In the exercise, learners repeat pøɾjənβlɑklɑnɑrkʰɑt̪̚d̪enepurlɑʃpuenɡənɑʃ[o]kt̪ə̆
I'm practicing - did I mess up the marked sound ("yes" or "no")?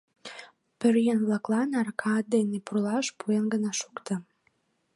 yes